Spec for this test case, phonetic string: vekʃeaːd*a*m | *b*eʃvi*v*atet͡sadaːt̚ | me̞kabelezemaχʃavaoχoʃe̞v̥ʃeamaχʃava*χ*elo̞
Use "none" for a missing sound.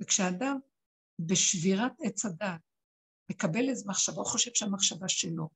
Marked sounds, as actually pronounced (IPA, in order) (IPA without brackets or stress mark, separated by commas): a, b, ʁ, ʃ